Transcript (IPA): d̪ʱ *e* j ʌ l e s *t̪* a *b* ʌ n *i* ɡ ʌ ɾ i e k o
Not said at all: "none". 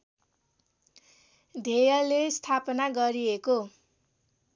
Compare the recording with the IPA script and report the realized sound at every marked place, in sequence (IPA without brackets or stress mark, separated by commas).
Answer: e, t̪ʰ, p, a